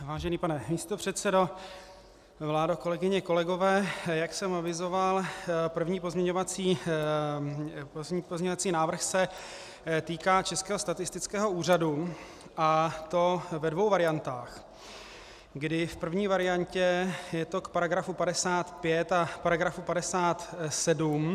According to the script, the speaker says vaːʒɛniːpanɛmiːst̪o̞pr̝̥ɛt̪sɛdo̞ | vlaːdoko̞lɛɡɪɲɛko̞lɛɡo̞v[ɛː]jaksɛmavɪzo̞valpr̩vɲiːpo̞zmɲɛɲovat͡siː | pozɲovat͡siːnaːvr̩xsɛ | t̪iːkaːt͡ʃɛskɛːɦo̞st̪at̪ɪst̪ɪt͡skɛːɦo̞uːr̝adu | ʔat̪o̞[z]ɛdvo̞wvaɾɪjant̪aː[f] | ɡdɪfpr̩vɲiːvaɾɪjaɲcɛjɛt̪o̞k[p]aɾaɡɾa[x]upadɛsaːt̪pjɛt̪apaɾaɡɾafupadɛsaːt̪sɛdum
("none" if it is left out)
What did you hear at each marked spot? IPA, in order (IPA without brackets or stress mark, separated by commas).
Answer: ɛː, v, x, p, f